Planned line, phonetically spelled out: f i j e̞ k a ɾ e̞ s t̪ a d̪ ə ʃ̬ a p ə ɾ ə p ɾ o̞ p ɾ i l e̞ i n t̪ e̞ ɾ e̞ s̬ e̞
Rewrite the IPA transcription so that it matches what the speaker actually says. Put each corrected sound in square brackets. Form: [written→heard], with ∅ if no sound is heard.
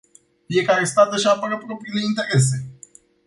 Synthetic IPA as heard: f i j e̞ k a ɾ e̞ s t̪ a [d̪→t̪] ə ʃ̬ a p ə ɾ ə p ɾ o̞ p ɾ i l e̞ i n t̪ e̞ ɾ e̞ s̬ e̞